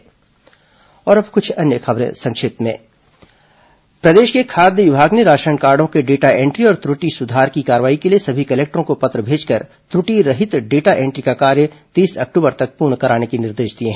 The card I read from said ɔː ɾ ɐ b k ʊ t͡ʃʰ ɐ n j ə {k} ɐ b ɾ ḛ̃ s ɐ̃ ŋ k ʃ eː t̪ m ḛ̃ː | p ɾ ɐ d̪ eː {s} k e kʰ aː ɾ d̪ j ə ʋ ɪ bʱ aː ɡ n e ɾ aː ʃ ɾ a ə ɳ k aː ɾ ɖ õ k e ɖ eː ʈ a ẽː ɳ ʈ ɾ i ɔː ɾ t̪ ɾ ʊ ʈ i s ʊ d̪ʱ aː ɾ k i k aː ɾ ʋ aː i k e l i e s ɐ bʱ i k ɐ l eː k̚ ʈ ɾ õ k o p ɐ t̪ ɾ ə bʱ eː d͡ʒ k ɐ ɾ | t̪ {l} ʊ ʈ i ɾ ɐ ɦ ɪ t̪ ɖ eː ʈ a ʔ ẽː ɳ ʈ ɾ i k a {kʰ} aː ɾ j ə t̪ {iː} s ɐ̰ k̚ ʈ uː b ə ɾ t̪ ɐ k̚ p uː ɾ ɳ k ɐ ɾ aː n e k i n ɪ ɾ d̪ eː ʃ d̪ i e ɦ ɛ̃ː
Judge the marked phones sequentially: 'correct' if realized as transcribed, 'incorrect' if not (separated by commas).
incorrect, incorrect, incorrect, incorrect, correct